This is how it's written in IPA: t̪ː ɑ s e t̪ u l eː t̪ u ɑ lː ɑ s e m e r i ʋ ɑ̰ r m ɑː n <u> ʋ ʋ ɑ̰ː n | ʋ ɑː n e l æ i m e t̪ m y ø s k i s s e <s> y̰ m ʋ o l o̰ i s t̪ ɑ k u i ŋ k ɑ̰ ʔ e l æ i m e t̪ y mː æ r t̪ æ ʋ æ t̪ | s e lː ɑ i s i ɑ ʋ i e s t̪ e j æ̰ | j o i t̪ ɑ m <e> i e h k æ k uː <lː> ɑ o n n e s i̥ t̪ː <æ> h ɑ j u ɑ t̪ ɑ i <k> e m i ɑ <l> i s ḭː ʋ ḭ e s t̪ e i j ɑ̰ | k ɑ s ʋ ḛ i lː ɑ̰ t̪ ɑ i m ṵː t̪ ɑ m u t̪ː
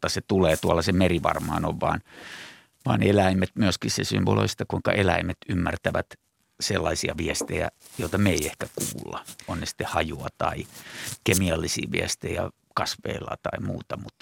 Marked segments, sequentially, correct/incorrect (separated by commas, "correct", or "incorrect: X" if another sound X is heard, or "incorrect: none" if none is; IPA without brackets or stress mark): incorrect: o, correct, correct, correct, incorrect: e, correct, incorrect: lː